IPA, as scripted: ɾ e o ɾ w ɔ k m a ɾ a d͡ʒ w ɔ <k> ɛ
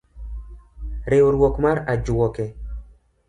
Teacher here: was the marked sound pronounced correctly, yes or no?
yes